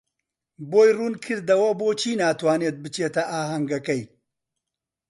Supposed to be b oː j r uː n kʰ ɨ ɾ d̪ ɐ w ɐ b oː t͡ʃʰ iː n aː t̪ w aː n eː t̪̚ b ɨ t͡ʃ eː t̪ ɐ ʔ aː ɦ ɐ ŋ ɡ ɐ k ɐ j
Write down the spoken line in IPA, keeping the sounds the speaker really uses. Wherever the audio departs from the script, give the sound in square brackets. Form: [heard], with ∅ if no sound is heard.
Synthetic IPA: b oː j r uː n kʰ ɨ ɾ d̪ ɐ w ɐ b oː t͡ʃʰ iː n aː t̪ w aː n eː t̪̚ b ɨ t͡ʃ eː t̪ ɐ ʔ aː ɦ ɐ ŋ ɡ ɐ k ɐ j